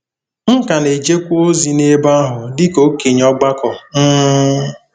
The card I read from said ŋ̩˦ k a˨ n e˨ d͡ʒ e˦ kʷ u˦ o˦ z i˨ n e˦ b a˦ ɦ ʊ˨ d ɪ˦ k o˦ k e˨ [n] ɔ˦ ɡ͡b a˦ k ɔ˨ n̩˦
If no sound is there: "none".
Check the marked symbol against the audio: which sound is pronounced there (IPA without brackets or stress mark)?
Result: ɲ